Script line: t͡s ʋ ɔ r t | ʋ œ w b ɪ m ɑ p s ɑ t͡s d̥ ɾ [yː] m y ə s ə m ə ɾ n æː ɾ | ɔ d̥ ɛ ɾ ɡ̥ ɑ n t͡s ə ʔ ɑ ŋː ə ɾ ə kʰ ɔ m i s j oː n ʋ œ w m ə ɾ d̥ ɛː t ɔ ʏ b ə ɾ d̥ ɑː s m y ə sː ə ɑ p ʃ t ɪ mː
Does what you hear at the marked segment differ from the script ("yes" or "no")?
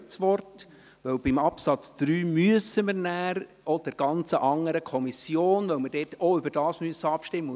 no